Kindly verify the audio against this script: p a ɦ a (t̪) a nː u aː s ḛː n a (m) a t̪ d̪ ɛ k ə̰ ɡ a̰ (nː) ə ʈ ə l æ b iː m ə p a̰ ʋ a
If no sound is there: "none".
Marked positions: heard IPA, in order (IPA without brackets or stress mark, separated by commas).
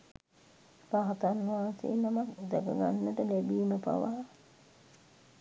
t̪, m, nː